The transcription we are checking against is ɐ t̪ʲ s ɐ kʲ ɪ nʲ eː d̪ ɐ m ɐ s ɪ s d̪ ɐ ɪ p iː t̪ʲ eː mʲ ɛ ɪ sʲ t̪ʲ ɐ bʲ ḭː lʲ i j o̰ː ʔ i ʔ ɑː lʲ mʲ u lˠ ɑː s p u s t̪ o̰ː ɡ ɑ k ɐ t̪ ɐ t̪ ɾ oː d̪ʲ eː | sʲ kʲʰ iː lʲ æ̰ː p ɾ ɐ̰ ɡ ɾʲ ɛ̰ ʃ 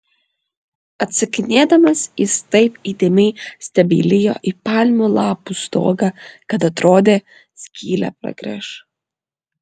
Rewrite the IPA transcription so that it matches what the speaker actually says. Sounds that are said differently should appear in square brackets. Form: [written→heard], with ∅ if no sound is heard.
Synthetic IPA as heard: ɐ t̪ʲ s ɐ kʲ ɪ nʲ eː d̪ ɐ m ɐ s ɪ s [d̪→t̪] ɐ ɪ p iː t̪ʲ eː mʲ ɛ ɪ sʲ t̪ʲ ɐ bʲ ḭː lʲ [i→ɪ] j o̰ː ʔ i [ʔ→p] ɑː lʲ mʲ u lˠ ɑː [s→∅] p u s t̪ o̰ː ɡ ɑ k ɐ t̪ ɐ t̪ ɾ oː d̪ʲ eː | sʲ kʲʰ iː lʲ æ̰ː p ɾ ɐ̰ ɡ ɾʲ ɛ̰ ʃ

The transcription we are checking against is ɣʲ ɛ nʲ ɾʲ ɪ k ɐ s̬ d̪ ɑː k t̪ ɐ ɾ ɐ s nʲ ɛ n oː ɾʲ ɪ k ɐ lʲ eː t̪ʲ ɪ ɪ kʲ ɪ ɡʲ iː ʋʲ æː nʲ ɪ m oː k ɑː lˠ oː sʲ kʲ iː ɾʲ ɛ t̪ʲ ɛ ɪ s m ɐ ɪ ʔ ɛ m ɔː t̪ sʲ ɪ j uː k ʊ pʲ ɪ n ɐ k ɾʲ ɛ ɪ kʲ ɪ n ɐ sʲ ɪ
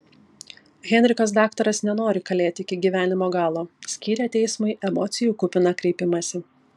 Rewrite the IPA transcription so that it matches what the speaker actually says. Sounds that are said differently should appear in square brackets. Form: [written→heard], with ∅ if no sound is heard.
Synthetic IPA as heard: ɣʲ ɛ nʲ ɾʲ ɪ k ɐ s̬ d̪ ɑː k t̪ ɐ ɾ ɐ s nʲ ɛ n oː ɾʲ ɪ k ɐ lʲ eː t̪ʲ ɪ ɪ kʲ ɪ ɡʲ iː ʋʲ æː nʲ ɪ m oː [k→ɡ] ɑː lˠ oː sʲ kʲ iː ɾʲ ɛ t̪ʲ ɛ ɪ s m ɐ ɪ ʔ ɛ m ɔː t̪ sʲ ɪ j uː k ʊ pʲ ɪ n ɐ k ɾʲ ɛ ɪ [kʲ→pʲ] ɪ [n→m] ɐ sʲ ɪ

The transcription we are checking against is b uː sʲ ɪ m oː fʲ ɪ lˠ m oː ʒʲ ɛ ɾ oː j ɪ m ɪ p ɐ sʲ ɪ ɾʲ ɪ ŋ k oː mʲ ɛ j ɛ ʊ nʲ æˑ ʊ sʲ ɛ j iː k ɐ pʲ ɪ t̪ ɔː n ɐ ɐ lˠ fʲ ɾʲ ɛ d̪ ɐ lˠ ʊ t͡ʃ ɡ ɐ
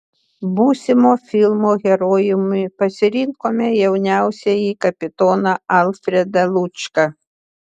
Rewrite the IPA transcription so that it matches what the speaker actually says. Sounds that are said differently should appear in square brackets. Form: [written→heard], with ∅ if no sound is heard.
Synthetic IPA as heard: b uː sʲ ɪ m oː fʲ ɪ lˠ m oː [ʒʲ→ɣʲ] ɛ ɾ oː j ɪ m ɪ p ɐ sʲ ɪ ɾʲ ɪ ŋ k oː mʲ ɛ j ɛ ʊ nʲ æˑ ʊ sʲ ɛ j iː k ɐ pʲ ɪ t̪ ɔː n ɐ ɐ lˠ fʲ ɾʲ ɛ d̪ ɐ lˠ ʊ t͡ʃ [ɡ→k] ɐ

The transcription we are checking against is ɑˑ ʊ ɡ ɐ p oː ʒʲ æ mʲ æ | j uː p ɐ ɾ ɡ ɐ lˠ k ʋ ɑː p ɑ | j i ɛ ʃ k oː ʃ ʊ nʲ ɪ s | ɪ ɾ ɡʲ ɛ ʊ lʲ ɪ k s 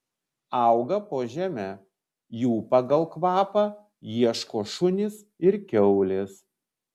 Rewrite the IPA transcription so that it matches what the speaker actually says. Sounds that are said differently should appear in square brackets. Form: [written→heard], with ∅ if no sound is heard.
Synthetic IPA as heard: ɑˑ ʊ ɡ ɐ p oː ʒʲ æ mʲ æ | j uː p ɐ [ɾ→∅] ɡ ɐ lˠ k ʋ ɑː p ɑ | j i ɛ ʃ k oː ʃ ʊ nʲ ɪ s | ɪ ɾ [ɡʲ→kʲ] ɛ ʊ lʲ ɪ [k→∅] s

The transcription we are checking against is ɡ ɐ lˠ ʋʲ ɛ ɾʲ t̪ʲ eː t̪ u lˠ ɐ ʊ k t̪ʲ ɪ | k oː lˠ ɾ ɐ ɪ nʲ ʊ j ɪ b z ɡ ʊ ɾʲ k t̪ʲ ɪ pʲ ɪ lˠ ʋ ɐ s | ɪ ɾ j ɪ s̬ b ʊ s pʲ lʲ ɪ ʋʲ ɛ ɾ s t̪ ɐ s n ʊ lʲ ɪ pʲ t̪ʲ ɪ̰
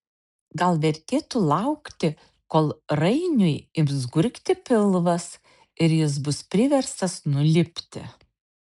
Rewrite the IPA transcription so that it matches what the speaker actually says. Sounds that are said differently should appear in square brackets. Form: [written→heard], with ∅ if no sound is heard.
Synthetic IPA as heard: ɡ ɐ lˠ ʋʲ ɛ ɾʲ t̪ʲ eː t̪ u lˠ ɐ ʊ k t̪ʲ ɪ | k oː lˠ ɾ ɐ ɪ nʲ ʊ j ɪ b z ɡ ʊ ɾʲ k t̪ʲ ɪ pʲ ɪ lˠ ʋ ɐ s | ɪ ɾ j ɪ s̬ b ʊ s pʲ [lʲ→ɾʲ] ɪ ʋʲ ɛ ɾ s t̪ ɐ s n ʊ lʲ ɪ pʲ t̪ʲ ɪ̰

